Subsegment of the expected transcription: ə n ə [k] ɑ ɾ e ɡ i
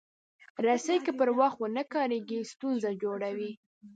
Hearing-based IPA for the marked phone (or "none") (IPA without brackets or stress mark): k